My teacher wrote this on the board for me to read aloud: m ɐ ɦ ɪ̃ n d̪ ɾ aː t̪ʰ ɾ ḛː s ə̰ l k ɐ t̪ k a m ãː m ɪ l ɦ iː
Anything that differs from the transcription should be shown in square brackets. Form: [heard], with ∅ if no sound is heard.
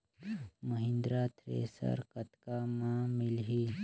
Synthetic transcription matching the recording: m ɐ ɦ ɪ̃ n d̪ ɾ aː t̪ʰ ɾ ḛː s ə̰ [ɾ] k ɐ t̪ k a m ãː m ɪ l ɦ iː